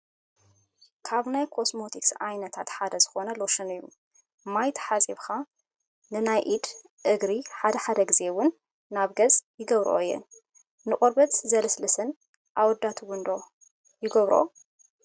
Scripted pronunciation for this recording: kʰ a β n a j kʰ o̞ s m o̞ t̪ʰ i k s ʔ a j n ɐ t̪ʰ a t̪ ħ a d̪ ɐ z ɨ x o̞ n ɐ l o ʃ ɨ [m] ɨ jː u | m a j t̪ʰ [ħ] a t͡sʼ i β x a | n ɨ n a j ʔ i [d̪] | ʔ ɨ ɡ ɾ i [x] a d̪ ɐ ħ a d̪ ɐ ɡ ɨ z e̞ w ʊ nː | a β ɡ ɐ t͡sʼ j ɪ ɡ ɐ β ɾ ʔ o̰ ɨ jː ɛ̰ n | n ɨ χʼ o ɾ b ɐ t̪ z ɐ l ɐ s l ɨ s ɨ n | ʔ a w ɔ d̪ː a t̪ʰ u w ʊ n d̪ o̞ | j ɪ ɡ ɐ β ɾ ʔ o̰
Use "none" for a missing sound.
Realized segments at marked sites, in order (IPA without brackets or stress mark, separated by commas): n, ħ, d̪, ħ